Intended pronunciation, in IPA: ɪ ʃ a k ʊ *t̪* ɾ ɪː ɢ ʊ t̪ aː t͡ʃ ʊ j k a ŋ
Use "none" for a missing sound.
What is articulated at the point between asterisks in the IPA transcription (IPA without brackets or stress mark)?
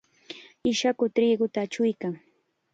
t̪